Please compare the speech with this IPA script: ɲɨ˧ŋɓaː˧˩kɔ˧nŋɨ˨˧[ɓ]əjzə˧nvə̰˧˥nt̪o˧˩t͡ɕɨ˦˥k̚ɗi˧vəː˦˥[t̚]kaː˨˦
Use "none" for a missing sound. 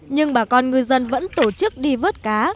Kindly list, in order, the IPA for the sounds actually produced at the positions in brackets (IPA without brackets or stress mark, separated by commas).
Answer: none, t̚